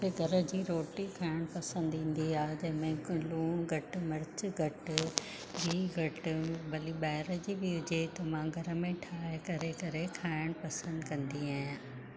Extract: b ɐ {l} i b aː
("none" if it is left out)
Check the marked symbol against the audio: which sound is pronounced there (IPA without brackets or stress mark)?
l